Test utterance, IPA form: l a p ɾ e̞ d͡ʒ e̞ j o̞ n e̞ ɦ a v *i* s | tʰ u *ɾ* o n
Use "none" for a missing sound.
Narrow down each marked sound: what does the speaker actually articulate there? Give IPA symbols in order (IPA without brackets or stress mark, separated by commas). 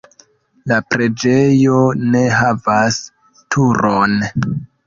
a, ɾ